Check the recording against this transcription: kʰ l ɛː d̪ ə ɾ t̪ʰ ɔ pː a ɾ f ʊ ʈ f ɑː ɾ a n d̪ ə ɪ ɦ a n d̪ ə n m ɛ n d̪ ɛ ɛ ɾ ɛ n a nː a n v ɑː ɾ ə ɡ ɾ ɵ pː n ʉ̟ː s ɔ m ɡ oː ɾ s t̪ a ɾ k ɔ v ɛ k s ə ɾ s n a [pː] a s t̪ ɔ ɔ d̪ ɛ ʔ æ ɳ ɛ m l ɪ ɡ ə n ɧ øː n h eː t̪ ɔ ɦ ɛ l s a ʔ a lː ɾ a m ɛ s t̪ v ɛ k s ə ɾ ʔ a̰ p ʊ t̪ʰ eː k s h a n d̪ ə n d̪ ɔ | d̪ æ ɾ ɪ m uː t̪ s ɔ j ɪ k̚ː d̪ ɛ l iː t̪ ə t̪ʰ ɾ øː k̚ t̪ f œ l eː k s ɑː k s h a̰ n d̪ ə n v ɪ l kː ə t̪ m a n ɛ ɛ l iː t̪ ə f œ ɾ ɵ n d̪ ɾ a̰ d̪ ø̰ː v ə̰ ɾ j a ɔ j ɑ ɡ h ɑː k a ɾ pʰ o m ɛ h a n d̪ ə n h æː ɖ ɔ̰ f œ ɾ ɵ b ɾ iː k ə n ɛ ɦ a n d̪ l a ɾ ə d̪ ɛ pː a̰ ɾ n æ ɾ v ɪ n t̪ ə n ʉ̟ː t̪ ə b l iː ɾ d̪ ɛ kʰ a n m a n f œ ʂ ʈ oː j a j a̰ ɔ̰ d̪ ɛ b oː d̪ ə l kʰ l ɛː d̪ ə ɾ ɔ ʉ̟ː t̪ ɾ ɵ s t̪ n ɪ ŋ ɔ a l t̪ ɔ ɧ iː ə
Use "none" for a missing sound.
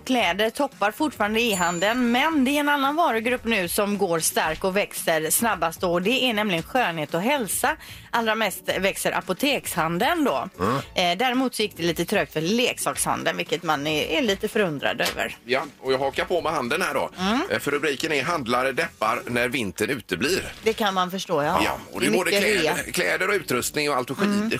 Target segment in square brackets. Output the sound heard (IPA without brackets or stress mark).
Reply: bː